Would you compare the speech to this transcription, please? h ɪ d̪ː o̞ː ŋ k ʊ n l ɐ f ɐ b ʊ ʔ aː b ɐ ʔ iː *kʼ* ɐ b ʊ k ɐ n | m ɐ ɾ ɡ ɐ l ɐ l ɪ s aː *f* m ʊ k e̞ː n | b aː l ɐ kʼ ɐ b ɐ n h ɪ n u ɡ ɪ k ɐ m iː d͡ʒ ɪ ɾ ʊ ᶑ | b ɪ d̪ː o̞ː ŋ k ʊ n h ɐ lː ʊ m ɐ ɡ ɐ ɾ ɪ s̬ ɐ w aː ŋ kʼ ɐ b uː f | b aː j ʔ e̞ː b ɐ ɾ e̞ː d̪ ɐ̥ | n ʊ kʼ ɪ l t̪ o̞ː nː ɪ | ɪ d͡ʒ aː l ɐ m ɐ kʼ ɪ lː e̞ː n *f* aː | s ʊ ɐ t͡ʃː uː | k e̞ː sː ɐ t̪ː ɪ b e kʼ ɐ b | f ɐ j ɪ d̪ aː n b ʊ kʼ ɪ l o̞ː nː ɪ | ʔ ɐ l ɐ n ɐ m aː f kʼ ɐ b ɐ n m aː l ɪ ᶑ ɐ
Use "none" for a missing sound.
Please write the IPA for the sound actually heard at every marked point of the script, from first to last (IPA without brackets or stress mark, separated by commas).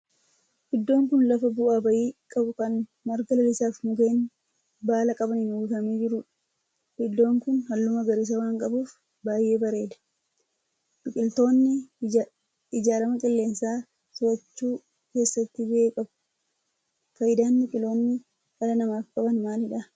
kʼ, f, s